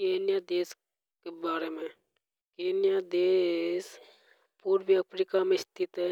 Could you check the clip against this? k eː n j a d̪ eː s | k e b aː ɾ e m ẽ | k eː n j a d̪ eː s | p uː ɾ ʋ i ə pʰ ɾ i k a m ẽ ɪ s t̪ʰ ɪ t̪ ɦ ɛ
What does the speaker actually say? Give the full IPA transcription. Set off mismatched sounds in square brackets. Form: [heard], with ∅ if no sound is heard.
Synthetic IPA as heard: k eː n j a d̪ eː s | k e b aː ɾ e m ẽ | k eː n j a d̪ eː s | p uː ɾ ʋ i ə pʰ ɾ i k a m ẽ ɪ s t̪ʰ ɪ t̪ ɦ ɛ